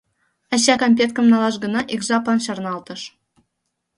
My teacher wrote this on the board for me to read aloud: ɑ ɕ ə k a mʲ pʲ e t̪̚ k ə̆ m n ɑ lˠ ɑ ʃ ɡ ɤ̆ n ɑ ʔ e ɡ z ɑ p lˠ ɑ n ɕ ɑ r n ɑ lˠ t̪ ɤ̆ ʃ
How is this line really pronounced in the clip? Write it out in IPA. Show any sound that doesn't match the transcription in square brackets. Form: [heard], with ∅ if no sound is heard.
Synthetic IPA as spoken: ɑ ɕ [ɑ] k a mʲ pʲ e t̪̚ k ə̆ m n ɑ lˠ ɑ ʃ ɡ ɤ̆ n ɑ ʔ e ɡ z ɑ p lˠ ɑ n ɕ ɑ r n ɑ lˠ t̪ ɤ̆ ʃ